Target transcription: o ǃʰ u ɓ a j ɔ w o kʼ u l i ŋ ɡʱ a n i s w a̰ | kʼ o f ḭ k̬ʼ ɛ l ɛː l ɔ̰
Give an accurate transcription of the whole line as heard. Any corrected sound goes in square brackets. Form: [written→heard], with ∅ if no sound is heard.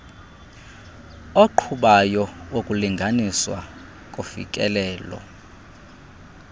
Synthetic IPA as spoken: o ǃʰ u ɓ a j ɔ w o kʼ u l i ŋ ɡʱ a n i s w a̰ | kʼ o f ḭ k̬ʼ ɛ l ɛː l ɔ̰